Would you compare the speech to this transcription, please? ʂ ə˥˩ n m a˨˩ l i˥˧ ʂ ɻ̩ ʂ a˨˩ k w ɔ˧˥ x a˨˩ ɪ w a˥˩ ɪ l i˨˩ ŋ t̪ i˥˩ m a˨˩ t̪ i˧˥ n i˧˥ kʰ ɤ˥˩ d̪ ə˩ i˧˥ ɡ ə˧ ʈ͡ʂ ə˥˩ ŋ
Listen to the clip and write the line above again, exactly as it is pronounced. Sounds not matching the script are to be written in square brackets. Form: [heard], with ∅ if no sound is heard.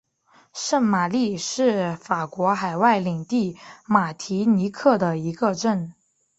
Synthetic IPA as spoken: ʂ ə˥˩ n m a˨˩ l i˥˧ ʂ ɻ̩ [f] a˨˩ k w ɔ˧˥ x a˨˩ ɪ w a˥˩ ɪ l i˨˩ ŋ t̪ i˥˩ m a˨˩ [t̪ʰ] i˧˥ n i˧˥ kʰ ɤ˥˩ d̪ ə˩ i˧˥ ɡ ə˧ ʈ͡ʂ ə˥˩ [n]